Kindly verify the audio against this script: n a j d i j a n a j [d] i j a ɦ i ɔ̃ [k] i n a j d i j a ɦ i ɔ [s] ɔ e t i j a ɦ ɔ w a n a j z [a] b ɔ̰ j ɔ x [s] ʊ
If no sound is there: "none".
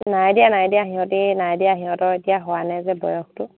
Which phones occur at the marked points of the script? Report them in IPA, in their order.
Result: d, t, t, ɛ, t

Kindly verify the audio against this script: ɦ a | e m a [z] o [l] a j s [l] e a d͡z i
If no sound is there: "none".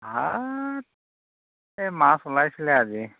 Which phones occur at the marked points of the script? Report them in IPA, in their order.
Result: s, l, l

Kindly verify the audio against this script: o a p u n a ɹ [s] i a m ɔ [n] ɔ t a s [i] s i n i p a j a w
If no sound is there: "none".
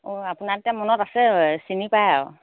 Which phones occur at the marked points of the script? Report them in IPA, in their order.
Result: t, n, ɛ

